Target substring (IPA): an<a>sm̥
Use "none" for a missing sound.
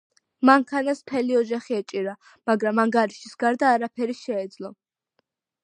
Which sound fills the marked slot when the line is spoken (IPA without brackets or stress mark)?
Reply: a